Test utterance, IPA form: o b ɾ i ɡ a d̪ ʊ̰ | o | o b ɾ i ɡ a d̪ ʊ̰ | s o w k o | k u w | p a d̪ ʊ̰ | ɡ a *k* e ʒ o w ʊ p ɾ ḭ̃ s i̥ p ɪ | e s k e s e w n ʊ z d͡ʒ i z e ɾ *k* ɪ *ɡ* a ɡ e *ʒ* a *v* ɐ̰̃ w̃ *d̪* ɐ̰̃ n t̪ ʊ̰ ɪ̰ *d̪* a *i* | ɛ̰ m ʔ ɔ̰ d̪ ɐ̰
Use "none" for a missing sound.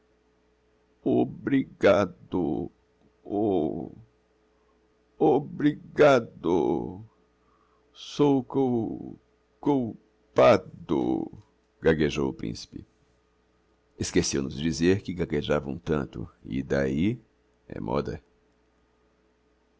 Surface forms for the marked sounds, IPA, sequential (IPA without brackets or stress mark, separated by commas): ɡ, k, ɡ, ʒ, v, t̪, d̪, i